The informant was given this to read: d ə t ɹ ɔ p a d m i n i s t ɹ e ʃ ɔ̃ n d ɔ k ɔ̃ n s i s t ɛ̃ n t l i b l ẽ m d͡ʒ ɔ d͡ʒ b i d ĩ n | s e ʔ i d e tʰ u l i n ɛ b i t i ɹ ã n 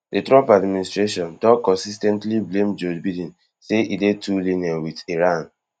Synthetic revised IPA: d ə t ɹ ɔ p a d m i n i s t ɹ e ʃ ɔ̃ n d ɔ k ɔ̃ n s i s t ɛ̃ n t l i b l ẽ m d͡ʒ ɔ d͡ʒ b i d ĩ n | s e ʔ i d e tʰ u l i n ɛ w i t i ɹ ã n